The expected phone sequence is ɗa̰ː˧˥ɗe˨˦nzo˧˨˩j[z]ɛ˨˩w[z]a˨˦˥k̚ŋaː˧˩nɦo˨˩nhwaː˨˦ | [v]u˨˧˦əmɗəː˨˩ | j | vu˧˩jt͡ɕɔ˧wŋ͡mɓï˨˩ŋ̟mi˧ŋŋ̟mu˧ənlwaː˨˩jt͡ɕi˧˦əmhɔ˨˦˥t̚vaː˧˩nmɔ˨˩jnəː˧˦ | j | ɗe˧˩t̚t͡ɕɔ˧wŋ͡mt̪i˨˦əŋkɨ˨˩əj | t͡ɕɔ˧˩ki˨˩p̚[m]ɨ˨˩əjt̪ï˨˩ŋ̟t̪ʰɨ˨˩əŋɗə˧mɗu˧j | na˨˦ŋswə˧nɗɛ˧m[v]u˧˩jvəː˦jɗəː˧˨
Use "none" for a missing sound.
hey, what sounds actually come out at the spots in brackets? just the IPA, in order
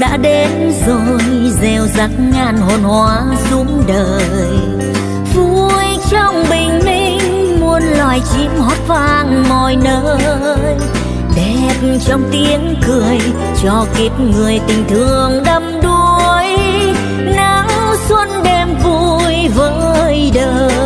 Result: z, z, z, ŋ, v

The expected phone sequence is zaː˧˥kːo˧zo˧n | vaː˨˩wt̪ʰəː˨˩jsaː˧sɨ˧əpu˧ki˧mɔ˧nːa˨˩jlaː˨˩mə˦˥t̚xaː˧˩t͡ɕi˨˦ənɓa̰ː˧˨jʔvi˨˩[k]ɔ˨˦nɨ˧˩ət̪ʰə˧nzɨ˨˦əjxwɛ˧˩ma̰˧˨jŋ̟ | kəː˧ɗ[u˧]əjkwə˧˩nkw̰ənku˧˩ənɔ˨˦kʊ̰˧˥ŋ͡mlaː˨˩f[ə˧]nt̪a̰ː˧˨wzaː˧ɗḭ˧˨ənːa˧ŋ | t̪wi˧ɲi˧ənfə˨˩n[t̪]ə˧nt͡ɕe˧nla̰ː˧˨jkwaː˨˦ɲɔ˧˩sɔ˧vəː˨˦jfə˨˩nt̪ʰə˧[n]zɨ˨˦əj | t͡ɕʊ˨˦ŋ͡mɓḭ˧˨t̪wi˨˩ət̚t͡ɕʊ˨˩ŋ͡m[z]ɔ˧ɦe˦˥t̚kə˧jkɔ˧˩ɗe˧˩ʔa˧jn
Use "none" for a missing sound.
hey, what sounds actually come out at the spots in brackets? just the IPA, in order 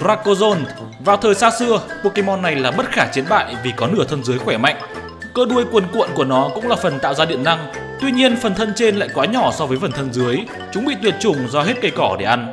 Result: k, u˧, ə˨˩, t̪ʰ, n, z

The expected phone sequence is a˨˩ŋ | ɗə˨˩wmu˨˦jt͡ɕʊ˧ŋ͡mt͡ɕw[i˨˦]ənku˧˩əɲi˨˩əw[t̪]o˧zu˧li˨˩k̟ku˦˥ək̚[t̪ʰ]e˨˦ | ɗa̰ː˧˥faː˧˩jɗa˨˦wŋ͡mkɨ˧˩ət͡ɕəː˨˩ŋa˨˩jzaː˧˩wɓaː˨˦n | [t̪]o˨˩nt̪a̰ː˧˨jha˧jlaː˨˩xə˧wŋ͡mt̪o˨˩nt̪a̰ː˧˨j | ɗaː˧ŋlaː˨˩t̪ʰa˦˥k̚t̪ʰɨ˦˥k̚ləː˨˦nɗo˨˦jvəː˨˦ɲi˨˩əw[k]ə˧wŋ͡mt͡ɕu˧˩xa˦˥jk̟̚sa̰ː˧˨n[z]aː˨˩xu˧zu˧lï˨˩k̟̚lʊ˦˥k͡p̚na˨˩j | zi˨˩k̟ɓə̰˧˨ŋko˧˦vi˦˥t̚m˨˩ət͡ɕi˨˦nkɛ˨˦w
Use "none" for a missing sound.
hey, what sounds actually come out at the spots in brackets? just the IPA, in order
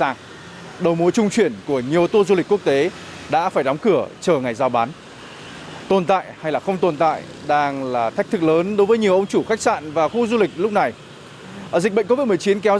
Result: i˧˩, t̪, t̪, t̪, ʔ, v

